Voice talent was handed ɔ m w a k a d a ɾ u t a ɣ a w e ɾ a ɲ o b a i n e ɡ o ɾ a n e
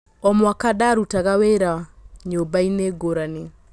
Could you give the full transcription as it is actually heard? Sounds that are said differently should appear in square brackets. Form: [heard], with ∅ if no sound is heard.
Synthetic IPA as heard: ɔ m w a k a d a ɾ u t a ɣ a w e ɾ a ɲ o b a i n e ɡ o ɾ a n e